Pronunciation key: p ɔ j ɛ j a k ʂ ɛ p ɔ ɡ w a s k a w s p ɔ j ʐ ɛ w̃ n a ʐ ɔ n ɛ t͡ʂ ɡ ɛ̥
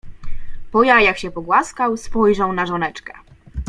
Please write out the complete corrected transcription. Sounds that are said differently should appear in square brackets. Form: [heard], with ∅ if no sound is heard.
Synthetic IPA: p ɔ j [a] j a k [ɕ] ɛ p ɔ ɡ w a s k a w s p ɔ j ʐ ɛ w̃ n a ʐ ɔ n ɛ t͡ʂ [k] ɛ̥